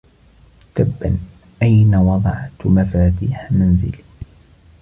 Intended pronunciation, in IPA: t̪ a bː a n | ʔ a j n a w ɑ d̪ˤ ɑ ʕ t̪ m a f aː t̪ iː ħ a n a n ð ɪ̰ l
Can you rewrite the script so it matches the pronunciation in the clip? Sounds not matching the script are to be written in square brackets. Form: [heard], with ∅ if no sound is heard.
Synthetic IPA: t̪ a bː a n | ʔ a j n a w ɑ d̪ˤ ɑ ʕ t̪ m a f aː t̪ iː ħ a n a n [z] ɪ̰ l